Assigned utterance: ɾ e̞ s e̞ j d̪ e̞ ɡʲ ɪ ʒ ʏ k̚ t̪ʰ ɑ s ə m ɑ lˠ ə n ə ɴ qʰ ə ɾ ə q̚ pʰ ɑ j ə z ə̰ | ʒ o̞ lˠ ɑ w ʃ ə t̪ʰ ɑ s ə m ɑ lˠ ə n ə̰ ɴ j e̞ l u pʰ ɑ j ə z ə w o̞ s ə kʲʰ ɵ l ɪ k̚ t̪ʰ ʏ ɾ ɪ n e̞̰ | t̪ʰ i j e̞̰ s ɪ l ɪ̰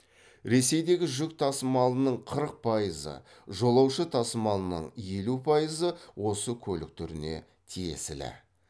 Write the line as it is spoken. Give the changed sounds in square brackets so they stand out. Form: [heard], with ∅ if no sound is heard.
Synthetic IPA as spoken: ɾ e̞ s e̞ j d̪ e̞ ɡʲ ɪ ʒ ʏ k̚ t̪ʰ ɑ s ə m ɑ lˠ ə n ə ɴ qʰ ə ɾ ə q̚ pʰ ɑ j ə z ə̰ | ʒ o̞ lˠ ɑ w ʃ ə t̪ʰ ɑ s ə m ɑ lˠ ə n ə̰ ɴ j e̞ l u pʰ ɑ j ə z ə w o̞ s ə kʲʰ ɵ l ɪ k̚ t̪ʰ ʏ ɾ ɪ n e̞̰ | t̪ʰ i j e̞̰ s ɪ l ɪ̰

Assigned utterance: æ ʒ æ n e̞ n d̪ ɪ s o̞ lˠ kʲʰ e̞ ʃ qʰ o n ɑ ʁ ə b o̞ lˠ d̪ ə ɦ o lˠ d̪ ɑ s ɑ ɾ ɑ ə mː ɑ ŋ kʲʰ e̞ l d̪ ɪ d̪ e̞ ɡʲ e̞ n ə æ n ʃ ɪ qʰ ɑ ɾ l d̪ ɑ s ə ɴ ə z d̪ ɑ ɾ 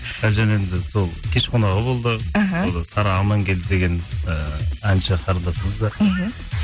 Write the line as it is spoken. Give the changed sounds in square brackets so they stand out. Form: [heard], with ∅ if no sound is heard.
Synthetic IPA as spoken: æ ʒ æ n e̞ n d̪ ɪ s o̞ lˠ kʲʰ e̞ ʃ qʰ o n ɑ ʁ ə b o̞ lˠ d̪ ə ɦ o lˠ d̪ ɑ s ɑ ɾ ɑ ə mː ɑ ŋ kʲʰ e̞ l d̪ ɪ d̪ e̞ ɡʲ e̞ n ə æ n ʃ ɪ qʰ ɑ ɾ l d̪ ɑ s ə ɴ ə z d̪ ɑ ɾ

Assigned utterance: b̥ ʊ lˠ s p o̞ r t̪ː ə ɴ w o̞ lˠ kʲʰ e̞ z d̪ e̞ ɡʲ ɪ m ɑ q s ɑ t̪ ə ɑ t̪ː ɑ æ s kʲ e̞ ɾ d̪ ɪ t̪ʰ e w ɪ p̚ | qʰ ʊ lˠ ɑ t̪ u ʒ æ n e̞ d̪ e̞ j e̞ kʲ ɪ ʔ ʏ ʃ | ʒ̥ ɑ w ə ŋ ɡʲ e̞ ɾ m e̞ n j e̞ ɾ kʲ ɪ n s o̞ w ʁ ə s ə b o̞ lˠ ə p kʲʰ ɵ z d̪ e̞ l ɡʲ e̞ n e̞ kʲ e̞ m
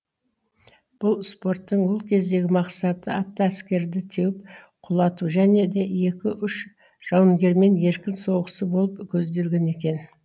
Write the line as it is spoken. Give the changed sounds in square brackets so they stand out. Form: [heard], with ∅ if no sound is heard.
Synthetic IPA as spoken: b̥ ʊ lˠ s p o̞ r t̪ː ə ɴ w o̞ lˠ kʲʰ e̞ z d̪ e̞ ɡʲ ɪ m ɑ q s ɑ t̪ ə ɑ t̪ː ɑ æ s kʲ e̞ ɾ d̪ ɪ t̪ʰ e w ɪ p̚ | qʰ ʊ lˠ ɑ t̪ u ʒ æ n e̞ d̪ e̞ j e̞ kʲ ɪ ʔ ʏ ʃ | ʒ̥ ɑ w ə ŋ ɡʲ e̞ ɾ m e̞ n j e̞ ɾ kʲ ɪ n s o̞ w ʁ ə s ə b o̞ lˠ ə p kʲʰ ɵ z d̪ e̞ l ɡʲ e̞ n e̞ kʲ e̞ [n]

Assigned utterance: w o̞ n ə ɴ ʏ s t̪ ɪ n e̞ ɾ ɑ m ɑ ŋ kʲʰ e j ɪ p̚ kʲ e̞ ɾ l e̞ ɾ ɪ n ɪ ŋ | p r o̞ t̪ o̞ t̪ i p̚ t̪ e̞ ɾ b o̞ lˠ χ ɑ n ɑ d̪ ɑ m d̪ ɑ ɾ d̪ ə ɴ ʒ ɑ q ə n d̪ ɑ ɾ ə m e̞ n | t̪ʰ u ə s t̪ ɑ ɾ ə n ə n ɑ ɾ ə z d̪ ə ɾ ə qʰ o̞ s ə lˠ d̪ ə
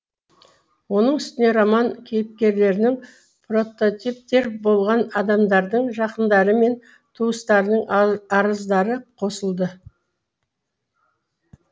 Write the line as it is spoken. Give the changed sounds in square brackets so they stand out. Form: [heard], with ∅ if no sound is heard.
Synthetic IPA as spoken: w o̞ n ə ɴ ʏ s t̪ ɪ n e̞ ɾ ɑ m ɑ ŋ kʲʰ e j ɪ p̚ kʲ e̞ ɾ l e̞ ɾ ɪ n ɪ ŋ | p r o̞ t̪ o̞ t̪ i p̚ t̪ e̞ ɾ b o̞ lˠ [ʁ] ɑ n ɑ d̪ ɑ m d̪ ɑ ɾ d̪ ə ɴ ʒ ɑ q ə n d̪ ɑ ɾ ə m e̞ n | t̪ʰ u ə s t̪ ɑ ɾ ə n ə [ɴ] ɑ ɾ ə z d̪ [ɑ] ɾ ə qʰ o̞ s ə lˠ d̪ ə

